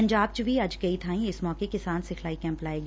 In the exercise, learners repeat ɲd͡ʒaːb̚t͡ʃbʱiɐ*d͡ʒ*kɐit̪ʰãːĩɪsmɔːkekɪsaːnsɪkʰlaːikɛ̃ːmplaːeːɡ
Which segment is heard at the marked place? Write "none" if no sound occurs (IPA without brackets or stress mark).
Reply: d͡ʒ